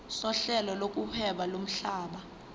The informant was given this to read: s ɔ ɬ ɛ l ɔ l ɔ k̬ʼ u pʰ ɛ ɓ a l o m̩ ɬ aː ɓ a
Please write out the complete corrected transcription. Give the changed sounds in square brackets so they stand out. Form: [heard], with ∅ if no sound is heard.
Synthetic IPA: s ɔ ɬ ɛ l ɔ l [o] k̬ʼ u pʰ ɛ ɓ a l o m̩ ɬ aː ɓ a